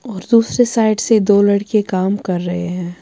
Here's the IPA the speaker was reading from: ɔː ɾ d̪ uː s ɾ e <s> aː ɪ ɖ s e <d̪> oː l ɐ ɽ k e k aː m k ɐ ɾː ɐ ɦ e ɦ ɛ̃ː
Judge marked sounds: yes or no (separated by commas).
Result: yes, yes